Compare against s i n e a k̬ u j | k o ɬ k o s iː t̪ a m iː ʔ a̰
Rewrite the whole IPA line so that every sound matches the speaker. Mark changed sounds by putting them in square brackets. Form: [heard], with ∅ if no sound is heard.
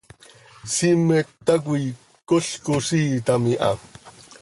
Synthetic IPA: s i [m] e a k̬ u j | k o ɬ k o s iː t̪ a m [i] ʔ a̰